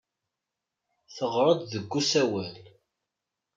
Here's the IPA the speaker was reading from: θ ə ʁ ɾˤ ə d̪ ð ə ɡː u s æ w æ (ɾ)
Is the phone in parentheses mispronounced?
yes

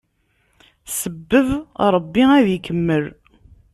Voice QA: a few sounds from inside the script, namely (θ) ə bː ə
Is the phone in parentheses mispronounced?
yes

